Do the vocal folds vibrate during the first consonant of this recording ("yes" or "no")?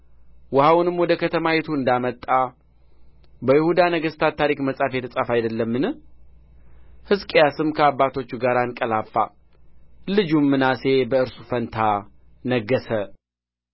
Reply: yes